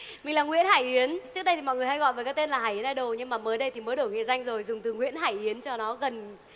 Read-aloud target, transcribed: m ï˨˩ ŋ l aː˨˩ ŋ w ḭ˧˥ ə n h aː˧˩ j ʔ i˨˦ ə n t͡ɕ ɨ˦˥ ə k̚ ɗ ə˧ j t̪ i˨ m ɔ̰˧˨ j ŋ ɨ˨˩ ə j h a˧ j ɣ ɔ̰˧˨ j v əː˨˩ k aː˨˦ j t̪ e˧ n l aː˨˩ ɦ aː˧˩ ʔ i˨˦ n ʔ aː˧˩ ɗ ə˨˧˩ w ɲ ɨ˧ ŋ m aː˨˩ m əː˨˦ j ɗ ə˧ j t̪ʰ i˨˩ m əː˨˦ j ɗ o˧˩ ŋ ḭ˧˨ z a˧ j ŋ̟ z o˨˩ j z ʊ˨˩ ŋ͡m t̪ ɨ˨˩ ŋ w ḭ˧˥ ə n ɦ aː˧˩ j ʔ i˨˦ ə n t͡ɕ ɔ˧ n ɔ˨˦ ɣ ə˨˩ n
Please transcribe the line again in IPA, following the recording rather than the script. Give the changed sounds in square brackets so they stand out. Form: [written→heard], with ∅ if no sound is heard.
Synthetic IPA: m ï˨˩ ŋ l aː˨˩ ŋ w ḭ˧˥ ə n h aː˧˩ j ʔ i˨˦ ə n t͡ɕ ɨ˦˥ ə k̚ ɗ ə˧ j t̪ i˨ m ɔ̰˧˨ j ŋ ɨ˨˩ ə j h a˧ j ɣ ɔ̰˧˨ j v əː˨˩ k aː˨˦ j t̪ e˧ n l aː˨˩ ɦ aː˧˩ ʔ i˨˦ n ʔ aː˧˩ ɗ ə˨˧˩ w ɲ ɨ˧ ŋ m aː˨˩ m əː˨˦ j ɗ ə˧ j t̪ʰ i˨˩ m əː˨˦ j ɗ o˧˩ ŋ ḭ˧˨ z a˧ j ŋ̟ z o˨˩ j z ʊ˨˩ ŋ͡m t̪ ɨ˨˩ ŋ w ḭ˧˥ ə n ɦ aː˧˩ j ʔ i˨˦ ə n t͡ɕ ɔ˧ n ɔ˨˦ ɣ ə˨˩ n

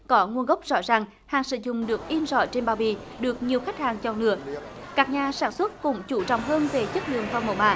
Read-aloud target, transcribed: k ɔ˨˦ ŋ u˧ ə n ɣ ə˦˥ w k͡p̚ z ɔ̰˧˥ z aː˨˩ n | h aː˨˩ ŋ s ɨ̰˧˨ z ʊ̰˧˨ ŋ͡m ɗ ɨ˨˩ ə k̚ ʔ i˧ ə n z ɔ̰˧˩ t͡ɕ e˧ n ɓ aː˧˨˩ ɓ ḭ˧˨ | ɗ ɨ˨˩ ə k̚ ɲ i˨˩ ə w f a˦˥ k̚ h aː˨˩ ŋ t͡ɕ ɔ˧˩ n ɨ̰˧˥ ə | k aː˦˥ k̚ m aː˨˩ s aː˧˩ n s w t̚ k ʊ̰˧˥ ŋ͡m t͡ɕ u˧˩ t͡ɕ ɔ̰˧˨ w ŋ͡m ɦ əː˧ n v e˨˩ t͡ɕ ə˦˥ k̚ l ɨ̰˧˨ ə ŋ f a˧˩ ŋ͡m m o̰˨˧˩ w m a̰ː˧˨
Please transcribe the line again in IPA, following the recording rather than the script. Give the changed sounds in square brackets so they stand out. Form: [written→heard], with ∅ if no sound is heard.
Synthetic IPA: k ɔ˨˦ ŋ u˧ ə n ɣ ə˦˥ w k͡p̚ z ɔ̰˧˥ z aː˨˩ [n→ŋ] | h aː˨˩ ŋ s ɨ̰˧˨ z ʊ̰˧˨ ŋ͡m ɗ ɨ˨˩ ə k̚ ʔ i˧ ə n z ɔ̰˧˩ t͡ɕ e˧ n ɓ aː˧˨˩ ɓ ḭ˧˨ | ɗ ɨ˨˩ ə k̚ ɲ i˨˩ ə w [f→x] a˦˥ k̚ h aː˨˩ ŋ t͡ɕ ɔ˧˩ n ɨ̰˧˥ ə | k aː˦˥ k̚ [m→ɲ] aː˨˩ s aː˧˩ n s w t̚ k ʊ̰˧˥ ŋ͡m t͡ɕ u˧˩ t͡ɕ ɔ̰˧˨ w ŋ͡m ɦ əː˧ n v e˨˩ t͡ɕ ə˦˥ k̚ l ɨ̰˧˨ ə ŋ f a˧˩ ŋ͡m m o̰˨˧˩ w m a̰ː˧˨

